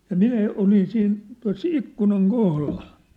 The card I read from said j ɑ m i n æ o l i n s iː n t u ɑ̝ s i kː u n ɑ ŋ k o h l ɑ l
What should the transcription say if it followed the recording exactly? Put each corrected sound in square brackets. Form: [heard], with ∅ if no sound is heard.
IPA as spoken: j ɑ m i n æ o l i n s iː n t u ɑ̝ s i kː u n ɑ ŋ k o h l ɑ l